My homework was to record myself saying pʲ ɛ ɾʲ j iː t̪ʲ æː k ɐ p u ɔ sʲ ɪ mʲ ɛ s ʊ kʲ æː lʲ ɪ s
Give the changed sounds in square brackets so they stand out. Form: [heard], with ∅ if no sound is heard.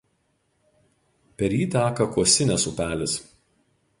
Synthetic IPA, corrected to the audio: pʲ ɛ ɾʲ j iː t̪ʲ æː k ɐ [k] u ɔ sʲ ɪ [nʲ] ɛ s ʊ [pʲ] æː lʲ ɪ s